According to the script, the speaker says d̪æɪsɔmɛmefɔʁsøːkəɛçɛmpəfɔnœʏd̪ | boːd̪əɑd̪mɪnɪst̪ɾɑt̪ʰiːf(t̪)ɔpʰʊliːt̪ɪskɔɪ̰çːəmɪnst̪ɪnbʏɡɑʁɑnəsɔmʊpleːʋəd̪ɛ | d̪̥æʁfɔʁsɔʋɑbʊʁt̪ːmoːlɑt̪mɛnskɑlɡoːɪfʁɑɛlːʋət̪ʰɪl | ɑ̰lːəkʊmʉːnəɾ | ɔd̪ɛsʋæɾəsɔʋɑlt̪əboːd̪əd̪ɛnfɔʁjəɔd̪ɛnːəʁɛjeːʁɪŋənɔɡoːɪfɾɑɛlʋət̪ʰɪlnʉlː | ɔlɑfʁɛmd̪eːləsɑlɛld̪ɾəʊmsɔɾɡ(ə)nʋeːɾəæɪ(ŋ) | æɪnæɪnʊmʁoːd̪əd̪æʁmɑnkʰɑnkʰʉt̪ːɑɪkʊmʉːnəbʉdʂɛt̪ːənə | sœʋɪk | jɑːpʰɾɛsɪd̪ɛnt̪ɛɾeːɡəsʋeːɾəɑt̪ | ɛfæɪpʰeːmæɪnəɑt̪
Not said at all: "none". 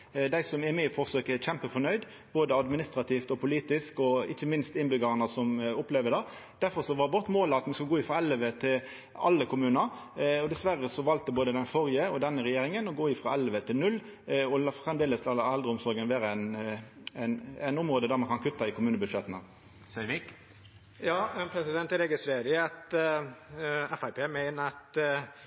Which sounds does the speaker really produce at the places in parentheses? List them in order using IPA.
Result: t̪, ə, n

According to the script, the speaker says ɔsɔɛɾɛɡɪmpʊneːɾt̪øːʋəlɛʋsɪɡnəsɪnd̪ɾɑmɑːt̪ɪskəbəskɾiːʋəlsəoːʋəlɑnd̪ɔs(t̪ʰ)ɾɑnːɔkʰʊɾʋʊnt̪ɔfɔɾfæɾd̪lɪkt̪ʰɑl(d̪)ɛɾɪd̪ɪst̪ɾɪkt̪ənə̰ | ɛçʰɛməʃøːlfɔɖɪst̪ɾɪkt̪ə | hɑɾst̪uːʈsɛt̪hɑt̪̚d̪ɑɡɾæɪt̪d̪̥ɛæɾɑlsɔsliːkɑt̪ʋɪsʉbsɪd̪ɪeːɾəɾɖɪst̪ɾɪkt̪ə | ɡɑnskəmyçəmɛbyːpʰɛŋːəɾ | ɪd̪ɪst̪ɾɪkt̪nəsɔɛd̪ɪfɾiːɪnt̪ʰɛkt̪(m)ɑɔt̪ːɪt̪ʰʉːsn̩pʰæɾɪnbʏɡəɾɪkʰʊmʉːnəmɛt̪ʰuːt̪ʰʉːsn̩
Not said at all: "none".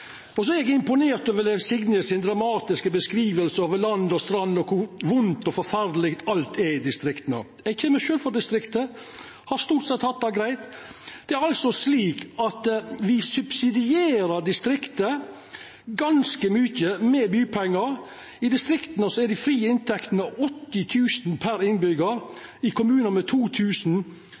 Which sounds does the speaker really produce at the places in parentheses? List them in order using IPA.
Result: t̪, t̪, n

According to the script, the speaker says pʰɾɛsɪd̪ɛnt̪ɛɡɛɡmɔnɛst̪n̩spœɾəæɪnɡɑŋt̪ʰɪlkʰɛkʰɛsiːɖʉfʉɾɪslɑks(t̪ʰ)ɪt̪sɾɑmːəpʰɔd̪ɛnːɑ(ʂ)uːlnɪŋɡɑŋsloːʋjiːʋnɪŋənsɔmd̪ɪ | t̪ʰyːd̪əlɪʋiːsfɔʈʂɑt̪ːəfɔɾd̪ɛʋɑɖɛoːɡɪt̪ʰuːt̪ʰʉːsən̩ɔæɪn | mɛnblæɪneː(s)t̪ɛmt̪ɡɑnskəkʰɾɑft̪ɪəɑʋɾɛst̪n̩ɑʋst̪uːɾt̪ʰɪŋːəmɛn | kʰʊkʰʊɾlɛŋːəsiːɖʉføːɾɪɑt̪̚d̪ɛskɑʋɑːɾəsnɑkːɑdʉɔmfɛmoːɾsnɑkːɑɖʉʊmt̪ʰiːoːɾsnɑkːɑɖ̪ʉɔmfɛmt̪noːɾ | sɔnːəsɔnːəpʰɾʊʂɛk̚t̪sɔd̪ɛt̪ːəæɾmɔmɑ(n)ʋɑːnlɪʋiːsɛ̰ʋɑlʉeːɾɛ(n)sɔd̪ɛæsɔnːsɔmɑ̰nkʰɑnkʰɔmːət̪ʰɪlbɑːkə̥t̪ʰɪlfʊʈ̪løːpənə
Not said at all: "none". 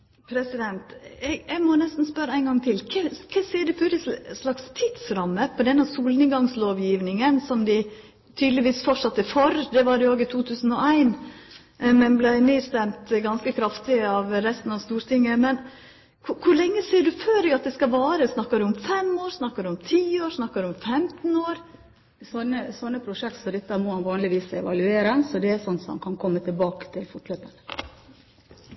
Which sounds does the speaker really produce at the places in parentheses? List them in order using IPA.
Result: t̪ʰ, s, s, n, n

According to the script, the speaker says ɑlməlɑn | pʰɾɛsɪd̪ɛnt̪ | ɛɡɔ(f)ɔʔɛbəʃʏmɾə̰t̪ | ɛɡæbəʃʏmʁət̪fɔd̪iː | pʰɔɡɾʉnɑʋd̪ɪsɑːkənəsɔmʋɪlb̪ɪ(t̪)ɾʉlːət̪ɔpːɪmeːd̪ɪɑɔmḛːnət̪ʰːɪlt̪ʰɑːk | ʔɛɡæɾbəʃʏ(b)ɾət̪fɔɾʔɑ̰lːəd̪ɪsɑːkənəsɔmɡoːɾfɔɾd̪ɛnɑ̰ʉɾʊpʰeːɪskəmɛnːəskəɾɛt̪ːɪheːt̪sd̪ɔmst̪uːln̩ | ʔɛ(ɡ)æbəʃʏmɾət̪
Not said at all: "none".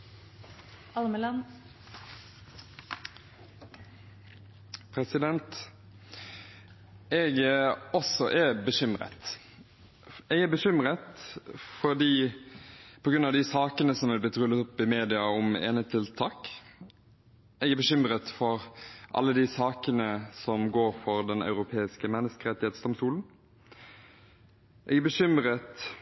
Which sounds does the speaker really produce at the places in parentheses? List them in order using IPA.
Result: s, t̪, m, ɡ

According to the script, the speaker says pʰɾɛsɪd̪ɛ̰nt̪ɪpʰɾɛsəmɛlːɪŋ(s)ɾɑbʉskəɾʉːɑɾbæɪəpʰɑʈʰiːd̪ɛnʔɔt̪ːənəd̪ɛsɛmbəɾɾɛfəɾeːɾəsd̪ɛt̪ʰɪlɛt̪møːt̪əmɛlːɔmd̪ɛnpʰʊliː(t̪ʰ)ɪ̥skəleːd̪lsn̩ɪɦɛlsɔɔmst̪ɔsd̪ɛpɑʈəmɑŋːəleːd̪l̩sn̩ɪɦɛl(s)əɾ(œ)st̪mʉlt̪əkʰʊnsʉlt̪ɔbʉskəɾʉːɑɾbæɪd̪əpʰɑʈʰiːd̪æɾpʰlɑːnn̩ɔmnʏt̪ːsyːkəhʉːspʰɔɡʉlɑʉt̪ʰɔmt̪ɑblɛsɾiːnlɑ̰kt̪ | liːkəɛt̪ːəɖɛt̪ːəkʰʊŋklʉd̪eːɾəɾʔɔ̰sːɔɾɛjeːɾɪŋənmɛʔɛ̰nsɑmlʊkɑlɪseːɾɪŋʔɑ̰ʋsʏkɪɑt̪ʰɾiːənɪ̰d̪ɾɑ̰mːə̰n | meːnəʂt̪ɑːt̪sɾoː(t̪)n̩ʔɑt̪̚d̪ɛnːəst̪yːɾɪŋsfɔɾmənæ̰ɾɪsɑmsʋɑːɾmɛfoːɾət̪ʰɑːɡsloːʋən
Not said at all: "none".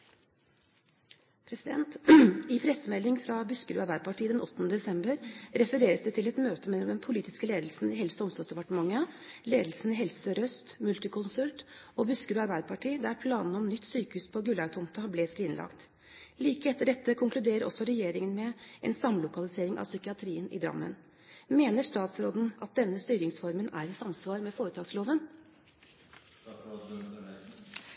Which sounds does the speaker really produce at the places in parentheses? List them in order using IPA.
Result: f, t̪, s, œ, d̪

